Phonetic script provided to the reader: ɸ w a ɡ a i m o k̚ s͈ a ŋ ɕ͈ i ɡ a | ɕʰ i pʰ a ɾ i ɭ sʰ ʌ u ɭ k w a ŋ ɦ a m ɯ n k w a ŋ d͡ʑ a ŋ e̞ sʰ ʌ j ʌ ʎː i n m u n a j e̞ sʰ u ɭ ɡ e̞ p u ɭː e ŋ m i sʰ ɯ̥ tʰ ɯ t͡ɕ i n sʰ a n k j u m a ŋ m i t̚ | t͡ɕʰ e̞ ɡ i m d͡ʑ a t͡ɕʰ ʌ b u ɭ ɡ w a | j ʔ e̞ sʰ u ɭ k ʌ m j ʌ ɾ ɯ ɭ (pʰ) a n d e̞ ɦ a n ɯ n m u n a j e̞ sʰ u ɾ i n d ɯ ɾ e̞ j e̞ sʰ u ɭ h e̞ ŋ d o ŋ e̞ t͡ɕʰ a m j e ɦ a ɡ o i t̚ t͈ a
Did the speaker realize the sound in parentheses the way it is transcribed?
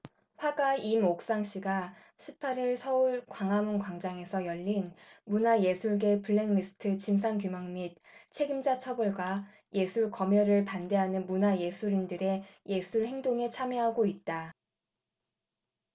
no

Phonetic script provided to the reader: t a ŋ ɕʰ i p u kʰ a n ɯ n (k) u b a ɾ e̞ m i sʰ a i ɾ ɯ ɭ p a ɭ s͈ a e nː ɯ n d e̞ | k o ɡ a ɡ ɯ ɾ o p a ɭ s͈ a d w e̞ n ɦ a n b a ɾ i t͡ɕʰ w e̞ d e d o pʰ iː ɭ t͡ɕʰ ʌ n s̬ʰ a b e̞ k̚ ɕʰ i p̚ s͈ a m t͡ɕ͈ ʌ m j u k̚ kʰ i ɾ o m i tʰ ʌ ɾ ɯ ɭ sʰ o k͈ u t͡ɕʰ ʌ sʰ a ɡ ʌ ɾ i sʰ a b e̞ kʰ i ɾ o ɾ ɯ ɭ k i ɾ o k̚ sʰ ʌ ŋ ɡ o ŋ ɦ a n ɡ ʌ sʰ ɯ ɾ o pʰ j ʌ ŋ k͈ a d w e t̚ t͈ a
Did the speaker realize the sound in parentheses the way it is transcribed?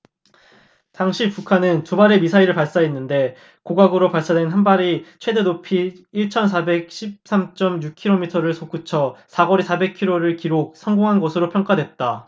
no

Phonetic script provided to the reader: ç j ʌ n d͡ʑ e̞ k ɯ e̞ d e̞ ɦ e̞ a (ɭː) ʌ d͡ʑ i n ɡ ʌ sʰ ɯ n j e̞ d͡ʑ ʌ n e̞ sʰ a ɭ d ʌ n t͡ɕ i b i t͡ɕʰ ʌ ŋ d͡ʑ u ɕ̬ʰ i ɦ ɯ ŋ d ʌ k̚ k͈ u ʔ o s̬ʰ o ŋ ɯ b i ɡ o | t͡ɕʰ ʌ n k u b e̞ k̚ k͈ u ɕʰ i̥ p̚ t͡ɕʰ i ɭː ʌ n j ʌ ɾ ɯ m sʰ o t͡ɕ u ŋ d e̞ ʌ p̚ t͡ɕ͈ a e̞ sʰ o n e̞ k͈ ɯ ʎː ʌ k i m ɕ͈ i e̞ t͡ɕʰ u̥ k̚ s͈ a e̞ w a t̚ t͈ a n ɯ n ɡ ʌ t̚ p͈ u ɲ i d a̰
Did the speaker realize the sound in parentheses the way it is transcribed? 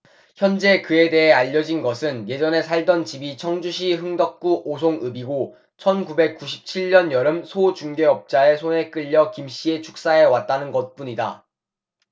no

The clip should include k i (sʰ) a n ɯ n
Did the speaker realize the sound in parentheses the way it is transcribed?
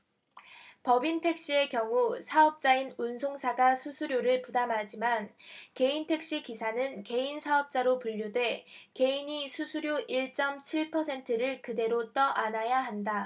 yes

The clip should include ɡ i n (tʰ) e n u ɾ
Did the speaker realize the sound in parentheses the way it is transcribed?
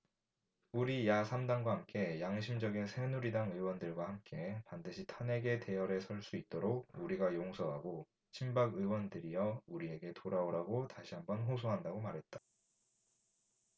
no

